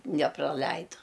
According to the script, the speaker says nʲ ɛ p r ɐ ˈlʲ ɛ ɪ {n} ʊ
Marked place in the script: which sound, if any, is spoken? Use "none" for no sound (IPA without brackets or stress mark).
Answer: d